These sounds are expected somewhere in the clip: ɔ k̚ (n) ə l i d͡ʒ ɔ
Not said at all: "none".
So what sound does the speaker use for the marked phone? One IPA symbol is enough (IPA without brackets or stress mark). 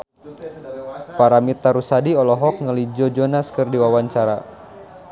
ŋ